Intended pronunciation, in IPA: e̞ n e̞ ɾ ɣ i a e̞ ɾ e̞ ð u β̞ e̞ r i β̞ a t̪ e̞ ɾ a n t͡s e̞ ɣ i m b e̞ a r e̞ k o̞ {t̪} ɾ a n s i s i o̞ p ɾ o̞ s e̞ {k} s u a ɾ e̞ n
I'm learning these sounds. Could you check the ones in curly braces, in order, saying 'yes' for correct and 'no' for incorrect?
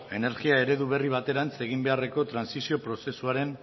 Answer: yes, no

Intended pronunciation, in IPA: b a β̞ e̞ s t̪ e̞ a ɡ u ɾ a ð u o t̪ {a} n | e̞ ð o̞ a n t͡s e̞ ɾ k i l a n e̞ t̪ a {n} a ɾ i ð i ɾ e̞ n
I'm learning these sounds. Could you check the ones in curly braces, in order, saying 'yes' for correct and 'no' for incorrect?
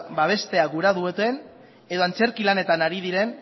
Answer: no, yes

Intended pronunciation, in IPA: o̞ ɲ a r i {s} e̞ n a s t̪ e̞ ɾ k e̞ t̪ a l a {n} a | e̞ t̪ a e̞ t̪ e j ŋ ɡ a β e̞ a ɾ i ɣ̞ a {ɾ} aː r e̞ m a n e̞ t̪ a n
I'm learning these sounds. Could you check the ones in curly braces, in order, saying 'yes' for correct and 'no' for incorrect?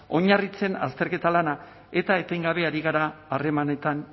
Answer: no, yes, yes

